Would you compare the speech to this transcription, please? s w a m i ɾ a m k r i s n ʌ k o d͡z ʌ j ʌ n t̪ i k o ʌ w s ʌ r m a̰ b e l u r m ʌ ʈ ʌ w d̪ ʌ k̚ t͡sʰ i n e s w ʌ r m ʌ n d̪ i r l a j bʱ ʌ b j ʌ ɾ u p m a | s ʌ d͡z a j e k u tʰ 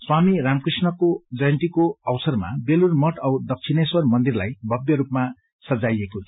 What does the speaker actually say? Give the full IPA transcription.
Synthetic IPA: s w a m i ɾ a m k r i s n ʌ k o d͡z ʌ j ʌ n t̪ i k o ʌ w s ʌ r m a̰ b e l u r m ʌ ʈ ʌ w d̪ ʌ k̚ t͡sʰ i n e s w ʌ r m ʌ n d̪ i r l a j bʱ ʌ b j ʌ ɾ u p m a | s ʌ d͡z a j e k o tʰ